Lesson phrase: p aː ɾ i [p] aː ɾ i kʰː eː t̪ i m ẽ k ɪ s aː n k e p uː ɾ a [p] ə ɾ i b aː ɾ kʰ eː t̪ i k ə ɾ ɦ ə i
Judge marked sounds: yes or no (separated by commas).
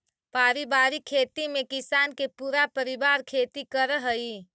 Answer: no, yes